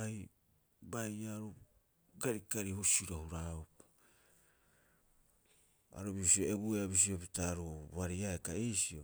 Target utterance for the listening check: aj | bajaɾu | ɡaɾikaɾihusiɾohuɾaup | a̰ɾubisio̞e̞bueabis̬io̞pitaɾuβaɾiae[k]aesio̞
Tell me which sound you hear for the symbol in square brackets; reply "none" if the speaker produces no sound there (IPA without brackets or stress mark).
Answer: k